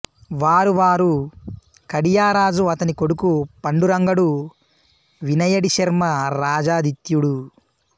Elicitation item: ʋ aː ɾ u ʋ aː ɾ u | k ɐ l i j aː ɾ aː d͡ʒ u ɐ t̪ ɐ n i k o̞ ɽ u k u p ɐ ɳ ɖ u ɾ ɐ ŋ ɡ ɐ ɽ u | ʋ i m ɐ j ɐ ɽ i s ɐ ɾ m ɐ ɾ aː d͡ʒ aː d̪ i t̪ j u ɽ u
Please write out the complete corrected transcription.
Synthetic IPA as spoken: ʋ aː ɾ u ʋ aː ɾ u | k ɐ ɽ i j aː ɾ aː d͡ʒ u ɐ t̪ ɐ n i k o̞ ɽ u k u p ɐ ɳ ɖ u ɾ ɐ ŋ ɡ ɐ ɽ u | ʋ i n ɐ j ɐ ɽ i ʃ ɐ ɾ m ɐ ɾ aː d͡ʒ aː d̪ i t̪ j u ɽ u